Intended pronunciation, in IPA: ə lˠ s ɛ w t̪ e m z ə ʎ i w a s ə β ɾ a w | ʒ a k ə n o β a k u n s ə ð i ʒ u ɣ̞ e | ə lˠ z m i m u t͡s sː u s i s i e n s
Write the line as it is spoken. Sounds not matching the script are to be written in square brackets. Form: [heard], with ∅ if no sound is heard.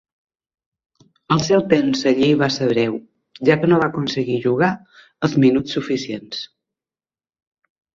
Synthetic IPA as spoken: ə lˠ s ɛ w t̪ e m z ə ʎ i [β] a s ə β ɾ [ɛ] w | ʒ a k ə n o β a k u n s ə [ɣ] i ʒ u ɣ̞ [a] | ə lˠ z m i [n] u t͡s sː u [f] i s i e n s